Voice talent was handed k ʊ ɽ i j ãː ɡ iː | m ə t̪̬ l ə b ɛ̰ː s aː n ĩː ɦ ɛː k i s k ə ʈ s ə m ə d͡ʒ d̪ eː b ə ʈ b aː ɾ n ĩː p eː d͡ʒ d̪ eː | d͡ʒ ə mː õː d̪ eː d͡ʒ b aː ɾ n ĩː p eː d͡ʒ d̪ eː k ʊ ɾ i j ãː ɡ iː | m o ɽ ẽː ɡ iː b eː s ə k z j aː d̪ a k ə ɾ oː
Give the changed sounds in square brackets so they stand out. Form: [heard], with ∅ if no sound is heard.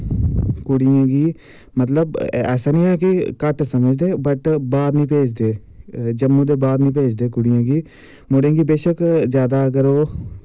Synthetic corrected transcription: k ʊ ɽ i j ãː ɡ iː | m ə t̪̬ l ə b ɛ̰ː s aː n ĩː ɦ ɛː k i [∅] k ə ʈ s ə m ə d͡ʒ d̪ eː b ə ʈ b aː ɾ n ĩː p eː d͡ʒ d̪ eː | d͡ʒ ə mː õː d̪ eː [∅] b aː ɾ n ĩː p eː d͡ʒ d̪ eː k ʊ [ɽ] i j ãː ɡ iː | m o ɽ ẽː ɡ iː b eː [ʃ] ə k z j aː d̪ a k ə ɾ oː